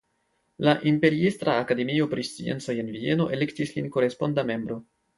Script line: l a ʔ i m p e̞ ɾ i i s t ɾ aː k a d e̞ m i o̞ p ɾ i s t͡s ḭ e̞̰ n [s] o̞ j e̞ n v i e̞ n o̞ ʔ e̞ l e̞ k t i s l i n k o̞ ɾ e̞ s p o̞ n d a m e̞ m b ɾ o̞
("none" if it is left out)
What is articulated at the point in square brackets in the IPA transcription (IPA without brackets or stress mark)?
t͡s